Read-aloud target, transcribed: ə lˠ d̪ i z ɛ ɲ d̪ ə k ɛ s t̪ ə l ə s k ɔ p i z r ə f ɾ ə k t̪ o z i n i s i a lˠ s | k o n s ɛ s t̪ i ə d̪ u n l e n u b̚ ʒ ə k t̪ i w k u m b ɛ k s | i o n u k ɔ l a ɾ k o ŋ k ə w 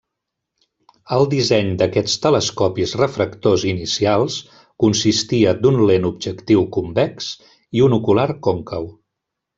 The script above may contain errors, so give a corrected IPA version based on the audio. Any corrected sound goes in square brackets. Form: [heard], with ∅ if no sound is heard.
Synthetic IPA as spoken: ə lˠ d̪ i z ɛ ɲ d̪ ə k ɛ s t̪ ə l ə s k ɔ p i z r ə f ɾ ə k t̪ o z i n i s i a lˠ s | k [u] n s [i] s t̪ i ə d̪ u n l e n u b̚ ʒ ə k t̪ i w k u m b ɛ k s | i [u] n u k [u] l a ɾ k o ŋ k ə w